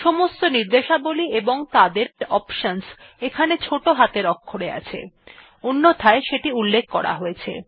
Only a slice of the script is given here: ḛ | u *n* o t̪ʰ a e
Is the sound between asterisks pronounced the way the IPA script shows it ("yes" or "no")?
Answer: no